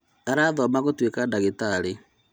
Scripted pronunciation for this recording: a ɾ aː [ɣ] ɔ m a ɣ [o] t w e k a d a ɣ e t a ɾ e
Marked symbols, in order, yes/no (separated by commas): no, yes